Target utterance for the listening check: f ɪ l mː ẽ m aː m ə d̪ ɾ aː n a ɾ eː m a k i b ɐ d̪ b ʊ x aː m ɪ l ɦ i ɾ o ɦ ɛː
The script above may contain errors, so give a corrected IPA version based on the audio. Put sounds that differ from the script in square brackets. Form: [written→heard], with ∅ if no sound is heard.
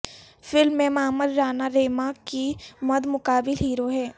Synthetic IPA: f ɪ l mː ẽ m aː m ə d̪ ɾ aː n a ɾ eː m a k i [b→m] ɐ d̪ [b→m] ʊ [x→k] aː [m→b] ɪ l ɦ [i→iː] ɾ o ɦ ɛː